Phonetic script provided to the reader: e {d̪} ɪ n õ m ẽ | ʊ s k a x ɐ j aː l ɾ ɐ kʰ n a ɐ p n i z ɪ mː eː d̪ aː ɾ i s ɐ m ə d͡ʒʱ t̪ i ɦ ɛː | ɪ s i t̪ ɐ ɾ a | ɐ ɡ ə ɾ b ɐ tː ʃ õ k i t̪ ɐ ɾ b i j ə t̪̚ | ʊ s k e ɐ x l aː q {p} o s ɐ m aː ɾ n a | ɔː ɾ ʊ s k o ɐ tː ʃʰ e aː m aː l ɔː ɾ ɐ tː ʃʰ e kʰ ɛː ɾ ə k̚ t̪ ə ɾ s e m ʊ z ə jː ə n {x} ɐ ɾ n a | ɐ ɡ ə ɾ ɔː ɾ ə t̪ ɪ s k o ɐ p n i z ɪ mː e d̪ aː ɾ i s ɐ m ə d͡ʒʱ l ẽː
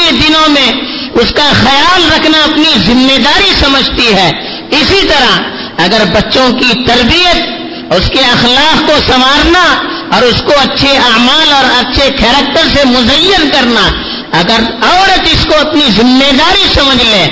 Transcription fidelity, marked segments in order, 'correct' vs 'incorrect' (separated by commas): correct, incorrect, incorrect